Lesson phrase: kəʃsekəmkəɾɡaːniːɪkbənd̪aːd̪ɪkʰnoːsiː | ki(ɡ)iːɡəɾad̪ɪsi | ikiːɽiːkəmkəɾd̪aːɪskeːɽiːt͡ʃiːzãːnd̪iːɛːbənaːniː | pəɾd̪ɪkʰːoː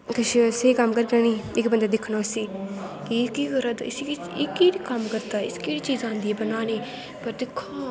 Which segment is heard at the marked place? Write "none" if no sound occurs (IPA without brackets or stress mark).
k